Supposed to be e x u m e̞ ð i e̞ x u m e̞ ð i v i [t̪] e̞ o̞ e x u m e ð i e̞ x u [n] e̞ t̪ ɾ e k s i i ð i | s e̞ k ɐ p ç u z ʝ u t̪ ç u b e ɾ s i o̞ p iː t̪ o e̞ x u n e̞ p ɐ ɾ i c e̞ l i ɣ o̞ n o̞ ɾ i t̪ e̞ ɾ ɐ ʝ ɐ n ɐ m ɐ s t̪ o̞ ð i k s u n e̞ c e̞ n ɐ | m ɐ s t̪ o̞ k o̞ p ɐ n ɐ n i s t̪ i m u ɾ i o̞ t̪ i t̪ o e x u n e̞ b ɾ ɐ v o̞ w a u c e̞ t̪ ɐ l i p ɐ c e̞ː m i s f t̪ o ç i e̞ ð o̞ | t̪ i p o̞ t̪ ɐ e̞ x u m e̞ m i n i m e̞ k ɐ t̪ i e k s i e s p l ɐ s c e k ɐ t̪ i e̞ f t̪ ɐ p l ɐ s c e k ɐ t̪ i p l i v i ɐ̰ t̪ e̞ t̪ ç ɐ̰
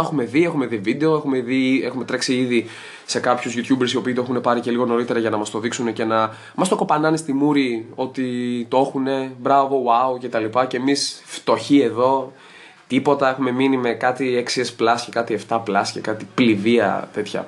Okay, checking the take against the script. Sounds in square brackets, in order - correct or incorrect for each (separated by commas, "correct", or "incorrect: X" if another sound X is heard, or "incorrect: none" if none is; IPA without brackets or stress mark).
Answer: incorrect: d̪, incorrect: m